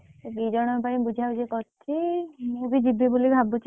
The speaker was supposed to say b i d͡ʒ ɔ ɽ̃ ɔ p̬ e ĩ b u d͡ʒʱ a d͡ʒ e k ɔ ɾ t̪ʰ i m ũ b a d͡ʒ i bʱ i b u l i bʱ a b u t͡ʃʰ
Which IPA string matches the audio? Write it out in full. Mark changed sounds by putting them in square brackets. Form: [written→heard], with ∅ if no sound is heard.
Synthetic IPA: b i d͡ʒ ɔ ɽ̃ ɔ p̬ [e→a] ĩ b u d͡ʒʱ a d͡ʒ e k ɔ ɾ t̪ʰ i m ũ b [a→i] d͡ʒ i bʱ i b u l i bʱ a b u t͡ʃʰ